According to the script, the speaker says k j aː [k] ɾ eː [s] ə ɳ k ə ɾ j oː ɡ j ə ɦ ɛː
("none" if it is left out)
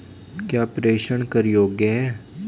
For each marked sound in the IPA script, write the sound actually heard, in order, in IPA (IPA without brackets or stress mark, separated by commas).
p, ʃ